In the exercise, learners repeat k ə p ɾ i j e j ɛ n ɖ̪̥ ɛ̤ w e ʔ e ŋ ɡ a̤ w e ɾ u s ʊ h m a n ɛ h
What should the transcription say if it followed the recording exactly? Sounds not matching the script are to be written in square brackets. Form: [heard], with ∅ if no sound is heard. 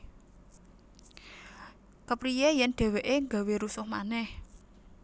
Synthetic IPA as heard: k ə p ɾ i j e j ɛ n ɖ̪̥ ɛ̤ w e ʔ e ŋ ɡ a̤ w e ɾ u s ʊ h m a n ɛ h